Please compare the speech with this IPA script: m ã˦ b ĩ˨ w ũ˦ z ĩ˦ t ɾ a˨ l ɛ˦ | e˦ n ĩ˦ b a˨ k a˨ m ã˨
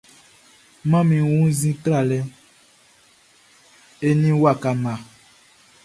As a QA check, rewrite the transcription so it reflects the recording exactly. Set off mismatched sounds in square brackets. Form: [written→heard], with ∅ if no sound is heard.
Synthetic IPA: m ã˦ [b→m] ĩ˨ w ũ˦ z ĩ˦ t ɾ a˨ l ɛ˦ | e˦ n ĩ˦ [b→w] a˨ k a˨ m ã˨

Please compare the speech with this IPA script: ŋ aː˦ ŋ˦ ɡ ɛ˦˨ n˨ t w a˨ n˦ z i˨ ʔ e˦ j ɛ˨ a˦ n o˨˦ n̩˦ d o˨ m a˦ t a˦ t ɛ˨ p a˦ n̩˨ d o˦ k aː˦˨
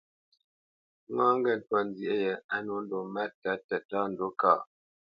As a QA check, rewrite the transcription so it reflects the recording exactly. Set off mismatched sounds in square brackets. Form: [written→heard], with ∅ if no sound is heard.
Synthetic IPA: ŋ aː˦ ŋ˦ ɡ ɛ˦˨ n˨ t w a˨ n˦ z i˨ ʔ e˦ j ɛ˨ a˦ n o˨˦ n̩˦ d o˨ m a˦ t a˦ t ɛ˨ [p→t] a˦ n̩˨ d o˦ k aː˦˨

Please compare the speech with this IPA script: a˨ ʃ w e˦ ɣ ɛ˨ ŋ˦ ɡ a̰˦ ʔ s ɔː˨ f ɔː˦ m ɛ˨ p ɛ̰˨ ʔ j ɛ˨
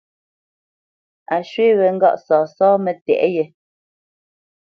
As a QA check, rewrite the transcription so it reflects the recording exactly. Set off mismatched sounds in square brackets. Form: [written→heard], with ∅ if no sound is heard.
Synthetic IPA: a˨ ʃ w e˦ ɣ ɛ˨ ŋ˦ ɡ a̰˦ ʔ s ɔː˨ [f→s] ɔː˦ m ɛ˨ [p→t] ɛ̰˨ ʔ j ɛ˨

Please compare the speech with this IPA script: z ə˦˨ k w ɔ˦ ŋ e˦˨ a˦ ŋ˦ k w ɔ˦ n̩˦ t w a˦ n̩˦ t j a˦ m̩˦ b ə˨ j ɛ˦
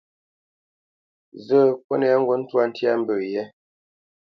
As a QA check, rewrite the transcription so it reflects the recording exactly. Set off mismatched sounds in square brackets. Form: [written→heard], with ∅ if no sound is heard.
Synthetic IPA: z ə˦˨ k w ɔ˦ [ŋ→n] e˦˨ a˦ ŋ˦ [k→ɡ] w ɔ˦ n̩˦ t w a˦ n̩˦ t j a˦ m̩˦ b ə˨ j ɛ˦

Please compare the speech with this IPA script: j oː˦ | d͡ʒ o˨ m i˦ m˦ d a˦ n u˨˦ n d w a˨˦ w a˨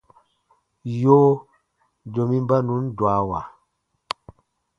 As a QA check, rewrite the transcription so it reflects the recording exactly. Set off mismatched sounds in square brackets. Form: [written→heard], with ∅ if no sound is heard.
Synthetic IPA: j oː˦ | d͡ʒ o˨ m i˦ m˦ [d→b] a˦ n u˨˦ n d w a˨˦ w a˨

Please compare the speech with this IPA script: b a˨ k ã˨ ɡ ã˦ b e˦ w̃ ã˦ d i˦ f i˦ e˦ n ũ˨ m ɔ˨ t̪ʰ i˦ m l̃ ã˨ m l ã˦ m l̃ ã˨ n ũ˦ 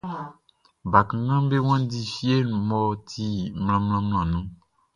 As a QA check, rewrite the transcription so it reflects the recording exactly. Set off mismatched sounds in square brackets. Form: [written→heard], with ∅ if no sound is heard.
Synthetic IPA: b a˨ k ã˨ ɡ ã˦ b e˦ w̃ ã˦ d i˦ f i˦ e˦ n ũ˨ m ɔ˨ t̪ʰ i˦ m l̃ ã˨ m l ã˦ m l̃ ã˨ n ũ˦

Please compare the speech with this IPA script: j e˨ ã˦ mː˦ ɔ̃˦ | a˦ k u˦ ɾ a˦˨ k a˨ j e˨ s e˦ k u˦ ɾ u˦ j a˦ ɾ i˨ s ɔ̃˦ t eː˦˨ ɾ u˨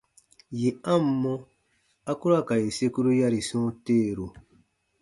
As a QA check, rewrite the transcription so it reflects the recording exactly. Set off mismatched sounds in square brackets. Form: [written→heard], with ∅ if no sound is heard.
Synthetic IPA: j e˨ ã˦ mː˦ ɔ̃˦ | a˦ k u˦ ɾ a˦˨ k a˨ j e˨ s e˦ k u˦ ɾ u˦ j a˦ ɾ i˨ s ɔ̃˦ t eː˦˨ ɾ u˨

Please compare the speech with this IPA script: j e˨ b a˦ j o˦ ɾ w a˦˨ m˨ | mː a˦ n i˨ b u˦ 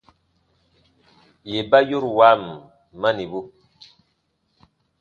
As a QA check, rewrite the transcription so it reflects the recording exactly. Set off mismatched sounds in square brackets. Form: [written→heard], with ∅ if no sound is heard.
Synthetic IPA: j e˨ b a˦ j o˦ ɾ w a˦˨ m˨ | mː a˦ n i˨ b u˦

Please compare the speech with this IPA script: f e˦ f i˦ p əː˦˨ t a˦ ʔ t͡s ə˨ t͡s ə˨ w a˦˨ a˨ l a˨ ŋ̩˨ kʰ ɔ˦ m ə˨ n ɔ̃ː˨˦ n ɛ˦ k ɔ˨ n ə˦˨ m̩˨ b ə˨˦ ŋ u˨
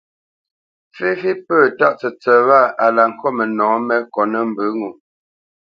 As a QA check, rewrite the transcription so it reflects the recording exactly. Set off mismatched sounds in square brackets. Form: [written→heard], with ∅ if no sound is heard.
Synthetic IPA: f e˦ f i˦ p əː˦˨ t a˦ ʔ t͡s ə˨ t͡s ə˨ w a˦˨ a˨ l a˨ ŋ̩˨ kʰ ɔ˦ m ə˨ n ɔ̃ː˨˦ [n→m] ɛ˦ k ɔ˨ n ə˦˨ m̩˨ b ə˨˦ ŋ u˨

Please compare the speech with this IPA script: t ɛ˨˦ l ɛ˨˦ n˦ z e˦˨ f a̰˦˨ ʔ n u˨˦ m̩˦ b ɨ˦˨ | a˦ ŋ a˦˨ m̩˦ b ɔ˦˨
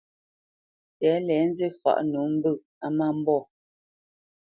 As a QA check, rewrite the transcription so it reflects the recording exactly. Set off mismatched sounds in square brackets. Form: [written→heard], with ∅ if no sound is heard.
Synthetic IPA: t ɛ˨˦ l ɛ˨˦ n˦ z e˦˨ f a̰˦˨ ʔ n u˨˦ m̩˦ b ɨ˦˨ | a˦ [ŋ→m] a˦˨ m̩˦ b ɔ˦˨

